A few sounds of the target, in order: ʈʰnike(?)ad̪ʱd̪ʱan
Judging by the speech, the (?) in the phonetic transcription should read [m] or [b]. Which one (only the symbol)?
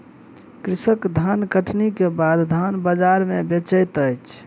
b